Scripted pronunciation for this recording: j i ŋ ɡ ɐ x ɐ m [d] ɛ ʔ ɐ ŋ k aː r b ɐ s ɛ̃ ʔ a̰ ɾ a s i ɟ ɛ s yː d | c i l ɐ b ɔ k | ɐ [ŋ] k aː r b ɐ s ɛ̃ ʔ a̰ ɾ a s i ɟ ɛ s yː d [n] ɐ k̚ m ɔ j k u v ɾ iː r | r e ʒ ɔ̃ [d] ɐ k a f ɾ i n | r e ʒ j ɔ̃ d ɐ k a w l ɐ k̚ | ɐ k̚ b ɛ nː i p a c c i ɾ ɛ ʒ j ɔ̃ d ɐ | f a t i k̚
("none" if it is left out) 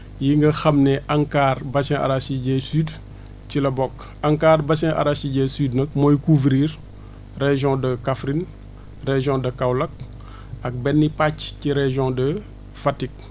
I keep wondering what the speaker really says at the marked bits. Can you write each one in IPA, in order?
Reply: n, ŋ, n, d

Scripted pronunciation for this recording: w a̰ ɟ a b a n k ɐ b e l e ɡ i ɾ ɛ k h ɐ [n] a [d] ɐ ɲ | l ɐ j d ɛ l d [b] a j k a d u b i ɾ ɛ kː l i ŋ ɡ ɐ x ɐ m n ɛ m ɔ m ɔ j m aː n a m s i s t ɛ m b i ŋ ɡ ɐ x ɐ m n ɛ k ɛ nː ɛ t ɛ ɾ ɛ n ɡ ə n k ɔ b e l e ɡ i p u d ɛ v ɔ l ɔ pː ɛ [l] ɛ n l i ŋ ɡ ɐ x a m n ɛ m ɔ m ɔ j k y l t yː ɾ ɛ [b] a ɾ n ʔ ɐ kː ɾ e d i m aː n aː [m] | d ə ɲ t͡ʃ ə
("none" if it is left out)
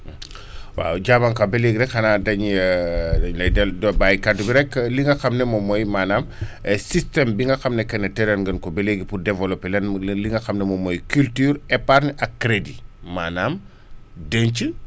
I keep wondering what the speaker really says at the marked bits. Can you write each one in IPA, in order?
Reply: n, d, b, l, p, m

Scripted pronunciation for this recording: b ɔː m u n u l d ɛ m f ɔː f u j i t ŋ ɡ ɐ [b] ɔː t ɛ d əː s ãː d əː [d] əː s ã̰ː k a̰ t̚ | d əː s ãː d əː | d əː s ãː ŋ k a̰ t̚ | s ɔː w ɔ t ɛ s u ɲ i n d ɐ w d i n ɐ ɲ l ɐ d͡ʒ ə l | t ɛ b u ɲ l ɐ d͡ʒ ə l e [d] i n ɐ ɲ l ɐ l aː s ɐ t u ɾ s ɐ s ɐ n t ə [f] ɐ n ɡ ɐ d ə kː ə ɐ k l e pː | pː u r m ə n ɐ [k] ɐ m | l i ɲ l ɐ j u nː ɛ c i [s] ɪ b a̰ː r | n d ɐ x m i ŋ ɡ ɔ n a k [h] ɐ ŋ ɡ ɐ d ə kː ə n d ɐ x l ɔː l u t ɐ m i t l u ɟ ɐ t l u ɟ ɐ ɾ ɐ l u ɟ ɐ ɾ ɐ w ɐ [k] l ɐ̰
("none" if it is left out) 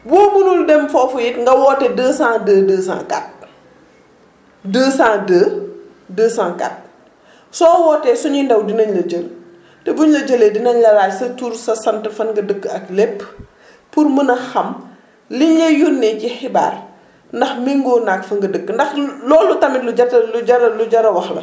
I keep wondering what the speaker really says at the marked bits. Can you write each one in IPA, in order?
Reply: w, d, d, f, x, x, f, x

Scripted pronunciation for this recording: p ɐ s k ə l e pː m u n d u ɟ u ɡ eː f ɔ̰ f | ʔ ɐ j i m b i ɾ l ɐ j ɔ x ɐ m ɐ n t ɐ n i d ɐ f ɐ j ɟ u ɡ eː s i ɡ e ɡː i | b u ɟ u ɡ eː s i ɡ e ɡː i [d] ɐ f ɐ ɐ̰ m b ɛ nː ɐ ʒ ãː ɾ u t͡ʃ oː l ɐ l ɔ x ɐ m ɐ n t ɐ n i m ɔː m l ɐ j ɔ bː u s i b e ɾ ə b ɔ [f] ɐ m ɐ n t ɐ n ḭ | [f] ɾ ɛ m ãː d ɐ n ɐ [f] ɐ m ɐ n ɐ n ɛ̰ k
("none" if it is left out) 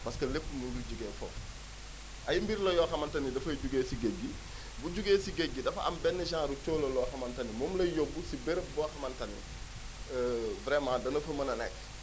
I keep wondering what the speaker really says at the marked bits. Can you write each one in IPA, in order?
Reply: d, x, v, f

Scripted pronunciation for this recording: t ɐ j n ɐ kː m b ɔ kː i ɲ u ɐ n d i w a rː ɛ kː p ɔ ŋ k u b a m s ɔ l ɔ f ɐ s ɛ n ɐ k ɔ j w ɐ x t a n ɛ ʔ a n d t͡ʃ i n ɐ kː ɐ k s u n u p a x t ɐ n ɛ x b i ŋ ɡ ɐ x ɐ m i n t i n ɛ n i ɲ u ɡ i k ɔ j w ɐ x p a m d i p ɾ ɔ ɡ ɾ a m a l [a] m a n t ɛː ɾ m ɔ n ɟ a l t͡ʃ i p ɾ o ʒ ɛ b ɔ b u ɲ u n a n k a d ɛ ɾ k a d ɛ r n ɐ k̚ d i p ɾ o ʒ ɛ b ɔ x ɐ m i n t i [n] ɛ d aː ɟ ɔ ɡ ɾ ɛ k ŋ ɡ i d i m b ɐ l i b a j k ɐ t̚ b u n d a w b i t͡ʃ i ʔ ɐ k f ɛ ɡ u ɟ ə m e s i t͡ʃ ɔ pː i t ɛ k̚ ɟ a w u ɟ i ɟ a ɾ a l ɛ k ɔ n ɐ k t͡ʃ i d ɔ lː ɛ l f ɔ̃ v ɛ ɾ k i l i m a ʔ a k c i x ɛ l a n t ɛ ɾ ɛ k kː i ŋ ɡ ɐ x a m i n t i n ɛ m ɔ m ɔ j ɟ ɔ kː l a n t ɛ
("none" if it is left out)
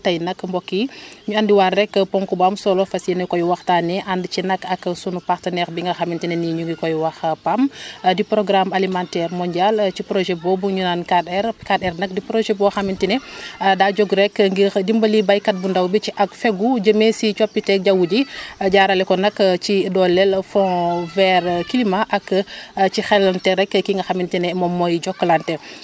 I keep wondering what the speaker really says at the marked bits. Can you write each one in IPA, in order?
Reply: i, n

